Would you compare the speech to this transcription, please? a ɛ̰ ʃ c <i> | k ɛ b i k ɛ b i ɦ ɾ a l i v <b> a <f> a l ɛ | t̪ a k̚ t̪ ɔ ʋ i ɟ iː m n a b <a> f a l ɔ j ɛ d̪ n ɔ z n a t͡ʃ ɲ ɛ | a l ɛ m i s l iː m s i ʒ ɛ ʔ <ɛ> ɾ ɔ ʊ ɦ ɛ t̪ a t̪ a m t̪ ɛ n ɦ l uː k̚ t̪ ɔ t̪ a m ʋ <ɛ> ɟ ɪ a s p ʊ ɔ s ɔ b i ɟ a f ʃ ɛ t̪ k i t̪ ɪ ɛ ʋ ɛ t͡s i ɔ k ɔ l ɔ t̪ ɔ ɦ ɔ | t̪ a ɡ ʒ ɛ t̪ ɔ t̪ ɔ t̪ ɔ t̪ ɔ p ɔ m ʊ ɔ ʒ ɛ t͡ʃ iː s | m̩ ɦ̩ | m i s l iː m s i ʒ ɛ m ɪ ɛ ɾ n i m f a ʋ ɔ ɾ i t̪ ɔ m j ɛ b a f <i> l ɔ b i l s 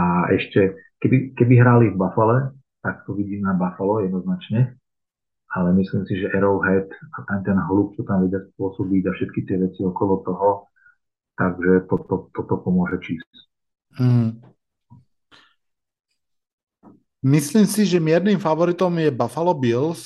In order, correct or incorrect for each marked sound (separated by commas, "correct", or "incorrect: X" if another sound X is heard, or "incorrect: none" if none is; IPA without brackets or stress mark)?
incorrect: ɛ, correct, correct, correct, correct, correct, incorrect: a